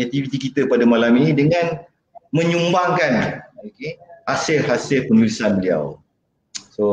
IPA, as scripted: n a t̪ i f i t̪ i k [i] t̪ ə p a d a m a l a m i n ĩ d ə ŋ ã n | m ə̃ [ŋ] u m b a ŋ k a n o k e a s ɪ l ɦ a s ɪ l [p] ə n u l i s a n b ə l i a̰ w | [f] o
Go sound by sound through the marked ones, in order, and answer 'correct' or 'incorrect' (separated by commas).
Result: correct, incorrect, correct, incorrect